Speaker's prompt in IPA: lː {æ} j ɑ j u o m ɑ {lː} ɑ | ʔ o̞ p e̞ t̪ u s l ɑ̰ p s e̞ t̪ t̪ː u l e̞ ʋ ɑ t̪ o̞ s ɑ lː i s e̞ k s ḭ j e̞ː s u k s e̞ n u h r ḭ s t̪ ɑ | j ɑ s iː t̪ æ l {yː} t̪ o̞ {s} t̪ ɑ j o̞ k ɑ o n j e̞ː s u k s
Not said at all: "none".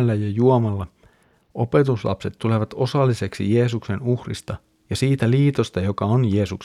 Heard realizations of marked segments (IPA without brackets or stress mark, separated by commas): æ, lː, iː, s